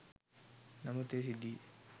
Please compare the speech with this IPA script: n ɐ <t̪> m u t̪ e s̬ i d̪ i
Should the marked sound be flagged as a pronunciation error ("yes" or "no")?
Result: yes